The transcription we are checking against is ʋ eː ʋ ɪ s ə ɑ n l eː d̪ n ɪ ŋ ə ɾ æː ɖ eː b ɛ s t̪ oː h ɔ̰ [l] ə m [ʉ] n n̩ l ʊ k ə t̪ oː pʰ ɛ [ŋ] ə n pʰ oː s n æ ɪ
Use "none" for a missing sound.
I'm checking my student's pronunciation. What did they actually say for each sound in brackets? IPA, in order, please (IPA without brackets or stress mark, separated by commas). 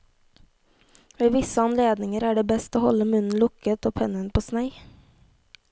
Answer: l, ʉ, n